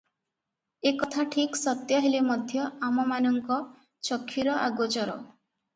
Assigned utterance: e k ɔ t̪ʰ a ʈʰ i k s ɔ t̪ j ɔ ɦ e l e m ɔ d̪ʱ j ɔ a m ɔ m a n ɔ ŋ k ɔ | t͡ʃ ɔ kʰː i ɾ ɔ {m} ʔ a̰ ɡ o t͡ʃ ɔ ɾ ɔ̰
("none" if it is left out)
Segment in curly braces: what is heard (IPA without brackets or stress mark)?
none